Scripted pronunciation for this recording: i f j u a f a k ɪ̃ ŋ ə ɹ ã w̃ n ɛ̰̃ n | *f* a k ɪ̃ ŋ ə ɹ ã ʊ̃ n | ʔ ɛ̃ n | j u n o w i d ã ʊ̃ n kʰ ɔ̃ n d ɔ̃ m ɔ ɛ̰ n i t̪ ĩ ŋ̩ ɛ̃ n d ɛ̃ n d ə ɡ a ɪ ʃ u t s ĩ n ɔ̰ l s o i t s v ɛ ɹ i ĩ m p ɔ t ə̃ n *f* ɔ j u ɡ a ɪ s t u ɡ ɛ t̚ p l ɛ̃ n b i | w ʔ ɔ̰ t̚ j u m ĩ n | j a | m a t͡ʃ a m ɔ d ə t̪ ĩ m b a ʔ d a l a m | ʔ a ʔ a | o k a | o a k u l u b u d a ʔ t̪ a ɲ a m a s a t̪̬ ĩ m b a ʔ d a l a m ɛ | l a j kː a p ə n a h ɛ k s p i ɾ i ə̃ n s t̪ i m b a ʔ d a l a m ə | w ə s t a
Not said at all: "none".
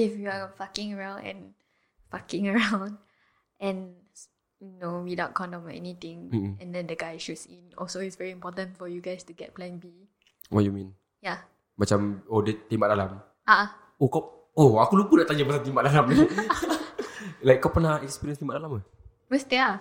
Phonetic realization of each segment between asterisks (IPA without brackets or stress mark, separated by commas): f, f